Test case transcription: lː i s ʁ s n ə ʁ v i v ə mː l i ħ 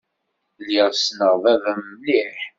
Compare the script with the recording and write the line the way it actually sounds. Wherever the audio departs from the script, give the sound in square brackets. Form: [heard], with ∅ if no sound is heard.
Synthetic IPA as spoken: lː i [∅] ʁ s n ə ʁ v [æ] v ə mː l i ħ